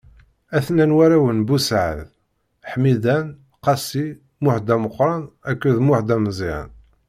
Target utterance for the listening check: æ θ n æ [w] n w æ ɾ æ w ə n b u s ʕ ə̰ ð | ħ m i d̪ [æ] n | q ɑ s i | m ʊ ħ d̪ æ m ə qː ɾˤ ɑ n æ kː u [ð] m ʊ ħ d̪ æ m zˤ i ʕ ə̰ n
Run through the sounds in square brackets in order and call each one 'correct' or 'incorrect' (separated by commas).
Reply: incorrect, correct, correct